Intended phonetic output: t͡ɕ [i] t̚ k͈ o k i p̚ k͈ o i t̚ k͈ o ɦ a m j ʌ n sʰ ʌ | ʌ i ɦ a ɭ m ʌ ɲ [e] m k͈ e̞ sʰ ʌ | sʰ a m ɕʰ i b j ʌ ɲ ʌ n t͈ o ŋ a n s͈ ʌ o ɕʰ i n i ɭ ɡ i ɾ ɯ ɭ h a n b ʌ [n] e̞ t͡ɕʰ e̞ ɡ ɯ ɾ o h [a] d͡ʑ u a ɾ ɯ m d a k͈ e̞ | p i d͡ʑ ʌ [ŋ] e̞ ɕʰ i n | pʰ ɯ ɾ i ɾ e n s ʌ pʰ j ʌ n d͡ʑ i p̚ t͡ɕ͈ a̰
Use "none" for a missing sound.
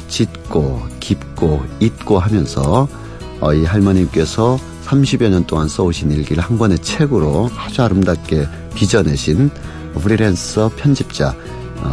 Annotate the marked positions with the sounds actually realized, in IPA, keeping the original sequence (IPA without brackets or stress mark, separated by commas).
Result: i, i, n, a, n